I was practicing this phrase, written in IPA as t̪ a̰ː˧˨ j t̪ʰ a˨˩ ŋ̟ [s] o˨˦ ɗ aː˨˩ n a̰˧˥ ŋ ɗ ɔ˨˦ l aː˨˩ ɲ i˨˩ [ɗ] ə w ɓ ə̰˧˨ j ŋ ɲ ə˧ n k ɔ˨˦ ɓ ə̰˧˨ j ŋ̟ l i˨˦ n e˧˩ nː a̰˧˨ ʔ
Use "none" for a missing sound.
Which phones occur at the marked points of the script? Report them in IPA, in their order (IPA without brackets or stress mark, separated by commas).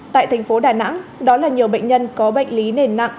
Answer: f, none